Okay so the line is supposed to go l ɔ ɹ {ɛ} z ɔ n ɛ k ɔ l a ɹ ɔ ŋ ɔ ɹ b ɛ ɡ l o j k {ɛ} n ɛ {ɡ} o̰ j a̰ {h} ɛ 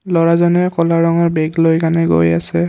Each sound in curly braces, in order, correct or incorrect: incorrect, incorrect, correct, incorrect

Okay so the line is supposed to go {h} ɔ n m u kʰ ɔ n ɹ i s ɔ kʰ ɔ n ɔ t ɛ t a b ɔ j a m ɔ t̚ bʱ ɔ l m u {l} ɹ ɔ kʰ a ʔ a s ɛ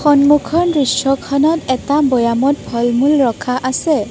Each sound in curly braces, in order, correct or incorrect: incorrect, correct

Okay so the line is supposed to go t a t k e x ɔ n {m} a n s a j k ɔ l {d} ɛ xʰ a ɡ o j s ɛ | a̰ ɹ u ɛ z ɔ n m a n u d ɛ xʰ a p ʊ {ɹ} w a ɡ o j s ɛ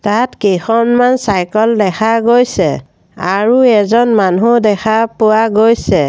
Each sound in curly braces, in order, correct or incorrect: correct, correct, incorrect

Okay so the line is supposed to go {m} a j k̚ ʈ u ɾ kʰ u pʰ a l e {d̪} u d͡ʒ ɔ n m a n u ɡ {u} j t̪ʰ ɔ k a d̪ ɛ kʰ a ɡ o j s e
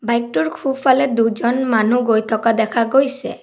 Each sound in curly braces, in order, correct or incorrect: incorrect, correct, incorrect

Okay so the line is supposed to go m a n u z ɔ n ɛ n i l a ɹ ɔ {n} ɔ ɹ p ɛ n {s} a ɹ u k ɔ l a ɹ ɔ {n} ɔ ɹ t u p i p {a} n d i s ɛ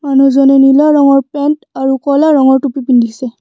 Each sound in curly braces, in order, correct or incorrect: incorrect, incorrect, incorrect, incorrect

